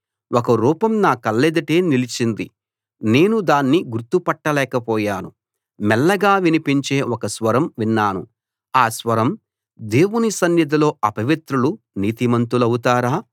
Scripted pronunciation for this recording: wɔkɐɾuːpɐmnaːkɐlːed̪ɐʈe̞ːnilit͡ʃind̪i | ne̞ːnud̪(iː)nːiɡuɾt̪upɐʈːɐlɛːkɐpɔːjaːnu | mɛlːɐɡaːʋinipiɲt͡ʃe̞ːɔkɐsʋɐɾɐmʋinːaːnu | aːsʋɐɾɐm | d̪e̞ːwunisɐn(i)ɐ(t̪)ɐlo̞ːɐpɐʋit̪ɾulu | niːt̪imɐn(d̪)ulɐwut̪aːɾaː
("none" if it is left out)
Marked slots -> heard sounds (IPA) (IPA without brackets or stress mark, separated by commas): aː, j, d̪, t̪